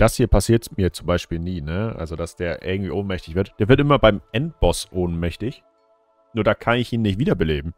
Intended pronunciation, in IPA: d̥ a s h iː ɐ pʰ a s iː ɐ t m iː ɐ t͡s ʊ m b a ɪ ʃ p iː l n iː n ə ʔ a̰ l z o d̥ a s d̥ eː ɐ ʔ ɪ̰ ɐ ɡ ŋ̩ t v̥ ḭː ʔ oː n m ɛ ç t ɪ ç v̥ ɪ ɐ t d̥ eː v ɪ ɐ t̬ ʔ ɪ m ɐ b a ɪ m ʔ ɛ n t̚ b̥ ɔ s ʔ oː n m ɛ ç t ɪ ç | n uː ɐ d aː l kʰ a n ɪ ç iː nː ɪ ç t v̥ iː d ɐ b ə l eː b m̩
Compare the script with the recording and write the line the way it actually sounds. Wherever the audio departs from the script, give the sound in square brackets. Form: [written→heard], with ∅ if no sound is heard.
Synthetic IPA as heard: d̥ a s h iː ɐ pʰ a s iː ɐ t m iː ɐ t͡s ʊ m b a ɪ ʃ p iː l n iː n ə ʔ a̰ l z o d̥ a s d̥ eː ɐ ʔ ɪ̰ ɐ ɡ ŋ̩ t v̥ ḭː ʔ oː n m ɛ ç t ɪ ç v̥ ɪ ɐ t d̥ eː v ɪ ɐ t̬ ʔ ɪ m ɐ b a ɪ m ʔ ɛ n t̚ b̥ ɔ s ʔ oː n m ɛ ç t ɪ ç | n uː ɐ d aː [l→∅] kʰ a n ɪ ç iː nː ɪ ç t v̥ iː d ɐ b ə l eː b m̩